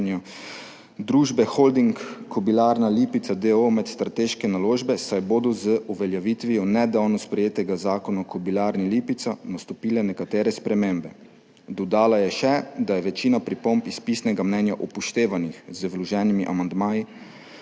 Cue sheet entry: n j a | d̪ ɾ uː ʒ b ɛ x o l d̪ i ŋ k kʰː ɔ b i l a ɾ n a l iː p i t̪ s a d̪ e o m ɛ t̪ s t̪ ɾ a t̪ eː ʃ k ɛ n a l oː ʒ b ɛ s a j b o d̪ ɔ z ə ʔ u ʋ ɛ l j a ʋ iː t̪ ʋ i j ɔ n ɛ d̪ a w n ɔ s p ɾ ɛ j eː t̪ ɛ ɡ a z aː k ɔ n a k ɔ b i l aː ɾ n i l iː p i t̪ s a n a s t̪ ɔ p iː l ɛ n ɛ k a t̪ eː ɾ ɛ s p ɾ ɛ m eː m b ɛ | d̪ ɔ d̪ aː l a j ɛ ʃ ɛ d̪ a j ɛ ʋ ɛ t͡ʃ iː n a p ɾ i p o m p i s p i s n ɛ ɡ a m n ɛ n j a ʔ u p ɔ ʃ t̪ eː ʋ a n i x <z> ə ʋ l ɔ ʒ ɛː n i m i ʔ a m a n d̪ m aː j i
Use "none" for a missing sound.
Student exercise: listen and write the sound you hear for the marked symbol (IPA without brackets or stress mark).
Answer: z